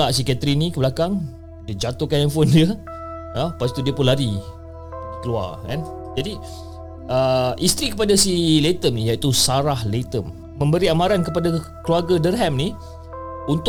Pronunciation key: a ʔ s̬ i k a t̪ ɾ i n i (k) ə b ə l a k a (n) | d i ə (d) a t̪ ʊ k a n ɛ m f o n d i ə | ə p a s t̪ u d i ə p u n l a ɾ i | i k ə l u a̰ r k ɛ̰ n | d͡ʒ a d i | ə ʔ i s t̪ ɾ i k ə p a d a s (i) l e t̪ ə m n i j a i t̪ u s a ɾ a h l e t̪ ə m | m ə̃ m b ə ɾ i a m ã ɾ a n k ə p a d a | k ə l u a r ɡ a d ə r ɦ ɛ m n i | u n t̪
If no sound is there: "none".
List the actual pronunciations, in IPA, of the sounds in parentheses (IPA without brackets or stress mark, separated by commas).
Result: k, ŋ, d͡ʒ, i